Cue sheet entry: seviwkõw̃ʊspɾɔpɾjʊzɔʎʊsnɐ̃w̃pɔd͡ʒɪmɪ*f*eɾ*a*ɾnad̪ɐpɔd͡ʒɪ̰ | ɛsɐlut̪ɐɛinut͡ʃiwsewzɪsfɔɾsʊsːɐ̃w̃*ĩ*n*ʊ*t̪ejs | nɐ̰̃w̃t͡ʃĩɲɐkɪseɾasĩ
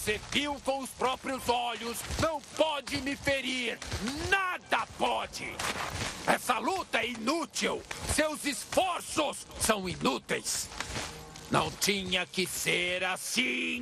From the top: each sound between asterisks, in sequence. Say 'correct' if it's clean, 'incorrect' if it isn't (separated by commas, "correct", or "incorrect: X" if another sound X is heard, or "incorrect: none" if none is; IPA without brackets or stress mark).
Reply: correct, incorrect: i, incorrect: i, incorrect: u